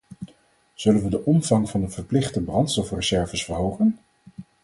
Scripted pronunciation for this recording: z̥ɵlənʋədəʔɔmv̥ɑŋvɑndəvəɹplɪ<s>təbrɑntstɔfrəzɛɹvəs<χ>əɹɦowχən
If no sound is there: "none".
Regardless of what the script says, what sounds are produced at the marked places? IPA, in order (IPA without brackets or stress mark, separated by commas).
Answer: χ, f